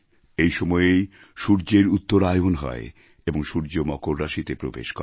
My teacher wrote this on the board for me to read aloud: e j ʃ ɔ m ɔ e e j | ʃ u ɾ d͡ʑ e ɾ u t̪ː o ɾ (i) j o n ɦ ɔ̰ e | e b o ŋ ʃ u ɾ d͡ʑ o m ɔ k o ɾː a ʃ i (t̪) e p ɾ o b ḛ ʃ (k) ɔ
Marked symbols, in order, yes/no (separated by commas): no, yes, yes